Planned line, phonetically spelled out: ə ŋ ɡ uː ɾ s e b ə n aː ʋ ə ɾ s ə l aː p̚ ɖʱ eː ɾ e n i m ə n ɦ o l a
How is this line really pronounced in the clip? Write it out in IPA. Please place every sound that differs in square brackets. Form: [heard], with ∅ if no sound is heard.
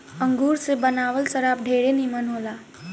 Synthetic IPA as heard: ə ŋ ɡ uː ɾ s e b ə n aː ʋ ə [l] s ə [ɾ] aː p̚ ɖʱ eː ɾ e n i m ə n ɦ o l a